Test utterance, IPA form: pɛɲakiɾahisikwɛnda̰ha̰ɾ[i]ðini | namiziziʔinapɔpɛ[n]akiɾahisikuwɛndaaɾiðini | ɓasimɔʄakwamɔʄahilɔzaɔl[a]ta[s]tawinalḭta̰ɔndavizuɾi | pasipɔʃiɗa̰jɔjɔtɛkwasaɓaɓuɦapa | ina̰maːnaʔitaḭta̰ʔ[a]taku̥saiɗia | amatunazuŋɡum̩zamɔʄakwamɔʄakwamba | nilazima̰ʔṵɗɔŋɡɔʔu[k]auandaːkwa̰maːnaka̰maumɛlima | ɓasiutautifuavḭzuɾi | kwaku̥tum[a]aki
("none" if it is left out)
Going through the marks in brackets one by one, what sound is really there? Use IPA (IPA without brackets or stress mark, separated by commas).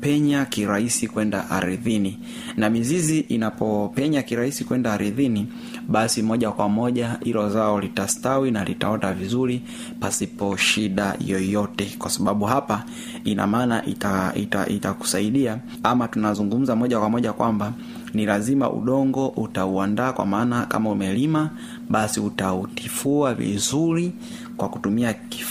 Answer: i, ɲ, i, s, i, t, i